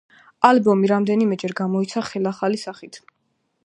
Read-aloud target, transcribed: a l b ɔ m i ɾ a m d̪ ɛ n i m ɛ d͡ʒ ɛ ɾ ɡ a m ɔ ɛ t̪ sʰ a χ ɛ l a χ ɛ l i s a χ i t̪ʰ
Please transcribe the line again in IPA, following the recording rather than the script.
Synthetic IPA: a l b ɔ m i ɾ a m d̪ ɛ n i m ɛ d͡ʒ ɛ ɾ ɡ a m ɔ i t̪ sʰ a χ ɛ l a χ a l i s a χ i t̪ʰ

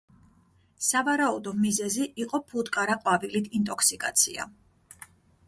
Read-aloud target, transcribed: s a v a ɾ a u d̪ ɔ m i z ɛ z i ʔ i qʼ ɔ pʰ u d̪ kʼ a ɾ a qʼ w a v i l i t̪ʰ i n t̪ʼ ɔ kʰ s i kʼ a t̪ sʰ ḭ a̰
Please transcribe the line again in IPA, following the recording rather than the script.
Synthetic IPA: s a v a ɾ a u d̪ ɔ m i z ɛ z i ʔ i qʼ ɔ pʰ u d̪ kʼ a ɾ a qʼ w a v i l i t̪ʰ i n t̪ʼ ɔ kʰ s i kʼ a t̪ sʰ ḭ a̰

